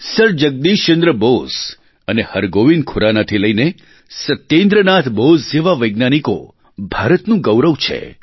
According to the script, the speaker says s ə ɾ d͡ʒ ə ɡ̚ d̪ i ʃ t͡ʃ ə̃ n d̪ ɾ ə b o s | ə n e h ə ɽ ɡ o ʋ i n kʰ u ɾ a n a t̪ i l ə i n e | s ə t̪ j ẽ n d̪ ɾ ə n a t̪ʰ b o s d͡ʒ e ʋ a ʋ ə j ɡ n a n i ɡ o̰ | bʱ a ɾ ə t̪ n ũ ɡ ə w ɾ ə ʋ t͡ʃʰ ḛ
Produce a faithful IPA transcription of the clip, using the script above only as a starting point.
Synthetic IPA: s ə ɾ d͡ʒ ə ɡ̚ d̪ i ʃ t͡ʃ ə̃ n d̪ ɾ ə b o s | ə n e h ə ɾ ɡ o ʋ i n kʰ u ɾ a n a t̪ʰ i l ə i n e | s ə t̪ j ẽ n d̪ ɾ ə n a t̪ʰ b o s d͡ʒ e ʋ a ʋ ə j ɡ n a n i k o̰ | bʱ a ɾ ə t̪ n ũ ɡ ə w ɾ ə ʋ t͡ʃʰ ḛ